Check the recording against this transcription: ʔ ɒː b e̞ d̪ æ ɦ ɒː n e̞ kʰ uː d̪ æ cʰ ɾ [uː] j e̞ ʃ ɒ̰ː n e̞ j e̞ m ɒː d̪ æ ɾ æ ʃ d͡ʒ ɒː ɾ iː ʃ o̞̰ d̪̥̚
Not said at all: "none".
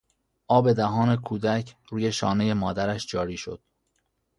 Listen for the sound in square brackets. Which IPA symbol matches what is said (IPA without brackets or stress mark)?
uː